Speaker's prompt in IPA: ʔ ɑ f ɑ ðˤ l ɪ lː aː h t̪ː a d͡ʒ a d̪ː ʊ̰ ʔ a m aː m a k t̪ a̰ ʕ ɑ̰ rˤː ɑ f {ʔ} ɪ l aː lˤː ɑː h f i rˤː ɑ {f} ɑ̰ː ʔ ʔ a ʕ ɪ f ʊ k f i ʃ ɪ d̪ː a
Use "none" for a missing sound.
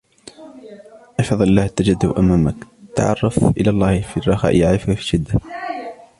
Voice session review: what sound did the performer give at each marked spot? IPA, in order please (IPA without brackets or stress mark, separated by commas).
ʔ, x